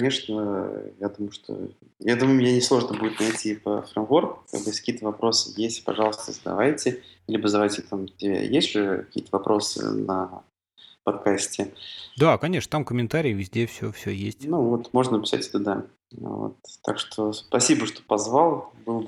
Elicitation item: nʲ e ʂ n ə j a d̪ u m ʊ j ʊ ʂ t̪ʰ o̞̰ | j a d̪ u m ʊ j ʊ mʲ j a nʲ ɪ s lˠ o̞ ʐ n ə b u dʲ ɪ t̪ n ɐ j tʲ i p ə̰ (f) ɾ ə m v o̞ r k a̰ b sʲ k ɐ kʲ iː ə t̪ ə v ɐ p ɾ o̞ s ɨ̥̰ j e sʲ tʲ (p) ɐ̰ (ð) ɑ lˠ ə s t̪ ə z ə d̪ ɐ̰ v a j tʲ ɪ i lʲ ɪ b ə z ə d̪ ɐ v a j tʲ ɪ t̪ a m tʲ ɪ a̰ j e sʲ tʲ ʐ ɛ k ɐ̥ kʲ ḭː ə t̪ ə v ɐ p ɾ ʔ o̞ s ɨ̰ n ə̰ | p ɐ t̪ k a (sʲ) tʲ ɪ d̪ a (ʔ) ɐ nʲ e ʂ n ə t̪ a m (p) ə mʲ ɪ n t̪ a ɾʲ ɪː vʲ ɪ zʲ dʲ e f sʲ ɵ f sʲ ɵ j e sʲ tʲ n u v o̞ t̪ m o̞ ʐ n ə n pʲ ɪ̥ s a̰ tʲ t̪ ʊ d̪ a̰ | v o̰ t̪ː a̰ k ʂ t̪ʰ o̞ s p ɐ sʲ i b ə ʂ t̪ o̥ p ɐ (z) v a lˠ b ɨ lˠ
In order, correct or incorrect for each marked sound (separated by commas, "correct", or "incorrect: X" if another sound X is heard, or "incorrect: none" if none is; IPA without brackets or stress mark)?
correct, correct, incorrect: ʐ, correct, incorrect: k, incorrect: k, correct